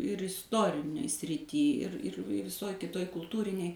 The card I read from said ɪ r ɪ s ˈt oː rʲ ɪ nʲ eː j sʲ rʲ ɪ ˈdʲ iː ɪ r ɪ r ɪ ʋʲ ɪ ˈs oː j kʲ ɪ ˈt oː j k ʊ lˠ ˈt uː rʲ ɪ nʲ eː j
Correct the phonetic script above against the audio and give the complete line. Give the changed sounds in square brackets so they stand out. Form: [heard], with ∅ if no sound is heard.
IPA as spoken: ɪ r ɪ s ˈt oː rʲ ɪ nʲ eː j sʲ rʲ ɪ [ˈtʲ] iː ɪ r ɪ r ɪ ʋʲ ɪ ˈs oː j kʲ ɪ ˈt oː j k ʊ lˠ ˈt uː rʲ ɪ nʲ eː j